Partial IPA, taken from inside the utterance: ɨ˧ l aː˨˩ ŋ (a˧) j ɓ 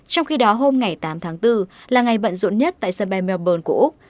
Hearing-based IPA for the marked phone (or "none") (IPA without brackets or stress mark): a˨˩